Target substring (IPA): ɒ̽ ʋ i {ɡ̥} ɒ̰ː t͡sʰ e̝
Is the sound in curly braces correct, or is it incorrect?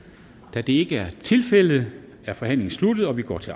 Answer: correct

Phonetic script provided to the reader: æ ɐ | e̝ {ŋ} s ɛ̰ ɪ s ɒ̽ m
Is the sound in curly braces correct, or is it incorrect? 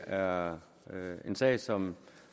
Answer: incorrect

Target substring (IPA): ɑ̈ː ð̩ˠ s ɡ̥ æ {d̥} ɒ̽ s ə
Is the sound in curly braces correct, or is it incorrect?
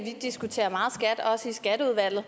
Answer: correct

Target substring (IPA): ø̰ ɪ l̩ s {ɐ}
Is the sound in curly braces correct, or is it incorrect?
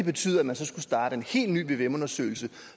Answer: incorrect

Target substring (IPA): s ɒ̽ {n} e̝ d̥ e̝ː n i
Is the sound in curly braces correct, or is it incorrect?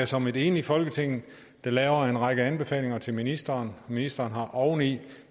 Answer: incorrect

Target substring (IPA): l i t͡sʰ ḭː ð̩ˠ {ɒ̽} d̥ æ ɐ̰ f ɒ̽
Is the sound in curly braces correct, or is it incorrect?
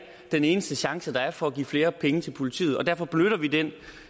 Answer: correct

